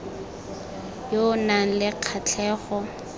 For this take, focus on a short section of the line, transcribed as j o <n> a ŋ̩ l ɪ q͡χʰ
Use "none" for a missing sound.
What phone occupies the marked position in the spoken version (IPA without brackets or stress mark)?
n